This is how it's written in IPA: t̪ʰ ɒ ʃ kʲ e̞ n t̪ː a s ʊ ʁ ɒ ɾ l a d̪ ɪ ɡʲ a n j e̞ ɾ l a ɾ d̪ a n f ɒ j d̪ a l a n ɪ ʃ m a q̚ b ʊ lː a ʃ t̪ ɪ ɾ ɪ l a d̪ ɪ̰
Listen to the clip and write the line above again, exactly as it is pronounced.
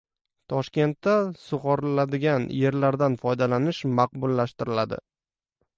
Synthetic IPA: t̪ʰ ɒ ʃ kʲ e̞ n t̪ː a s ʊ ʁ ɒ ɾ l a d̪ ɪ ɡʲ a n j e̞ ɾ l a ɾ d̪ a n f ɒ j d̪ a l a n ɪ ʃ m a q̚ b ʊ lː a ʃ t̪ ɪ ɾ ɪ l a d̪ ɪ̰